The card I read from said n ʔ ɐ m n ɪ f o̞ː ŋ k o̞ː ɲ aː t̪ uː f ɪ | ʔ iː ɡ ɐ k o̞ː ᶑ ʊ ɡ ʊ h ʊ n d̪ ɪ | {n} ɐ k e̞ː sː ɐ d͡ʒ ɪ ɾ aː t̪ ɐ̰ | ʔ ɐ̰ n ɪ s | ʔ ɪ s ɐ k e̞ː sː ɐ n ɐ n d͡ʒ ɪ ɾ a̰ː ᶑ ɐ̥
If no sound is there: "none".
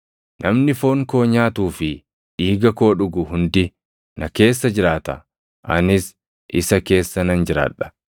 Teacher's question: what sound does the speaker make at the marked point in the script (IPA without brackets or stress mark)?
n